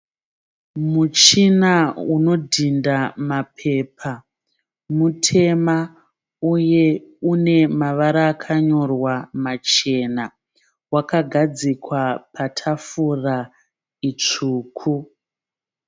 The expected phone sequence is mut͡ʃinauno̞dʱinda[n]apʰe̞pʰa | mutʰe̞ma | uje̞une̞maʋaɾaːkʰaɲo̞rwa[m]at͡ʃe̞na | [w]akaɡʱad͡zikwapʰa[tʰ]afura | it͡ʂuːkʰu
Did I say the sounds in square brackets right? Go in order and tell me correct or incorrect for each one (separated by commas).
incorrect, correct, correct, correct